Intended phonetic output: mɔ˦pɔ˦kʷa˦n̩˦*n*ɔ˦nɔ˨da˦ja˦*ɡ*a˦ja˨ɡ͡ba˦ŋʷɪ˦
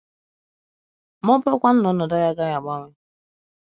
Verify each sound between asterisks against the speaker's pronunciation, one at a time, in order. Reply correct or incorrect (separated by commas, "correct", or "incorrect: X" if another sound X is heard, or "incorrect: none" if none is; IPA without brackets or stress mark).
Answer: correct, correct